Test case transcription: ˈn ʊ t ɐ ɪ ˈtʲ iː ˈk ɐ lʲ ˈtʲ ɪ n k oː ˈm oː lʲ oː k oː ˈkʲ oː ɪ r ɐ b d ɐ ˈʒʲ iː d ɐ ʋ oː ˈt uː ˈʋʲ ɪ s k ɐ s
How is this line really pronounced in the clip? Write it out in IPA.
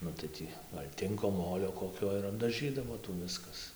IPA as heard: ˈn ʊ t ɐ ɪ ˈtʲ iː ˈɡ ɐ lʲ ˈtʲ ɪ ŋ k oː ˈm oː lʲ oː k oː ˈkʲ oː ɪ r ɐ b d ɐ ˈʒʲ iː d ɐ ʋ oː ˈt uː ˈʋʲ ɪ s k ɐ s

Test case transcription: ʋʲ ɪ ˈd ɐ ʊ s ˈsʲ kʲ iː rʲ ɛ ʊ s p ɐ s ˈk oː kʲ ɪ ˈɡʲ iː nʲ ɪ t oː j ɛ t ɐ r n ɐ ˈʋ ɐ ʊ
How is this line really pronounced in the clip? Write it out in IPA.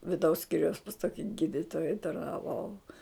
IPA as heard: ʋʲ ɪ ˈd ɐ ʊ s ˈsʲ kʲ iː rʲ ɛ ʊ s p ɐ s ˈt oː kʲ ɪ ˈɡʲ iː dʲ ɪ t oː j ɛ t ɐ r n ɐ ˈʋ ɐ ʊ

